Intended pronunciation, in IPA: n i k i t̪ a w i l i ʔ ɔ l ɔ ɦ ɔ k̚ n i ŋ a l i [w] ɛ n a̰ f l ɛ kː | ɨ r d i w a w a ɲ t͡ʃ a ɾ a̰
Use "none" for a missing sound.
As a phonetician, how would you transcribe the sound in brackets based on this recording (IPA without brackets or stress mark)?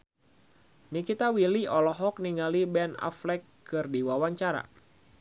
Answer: b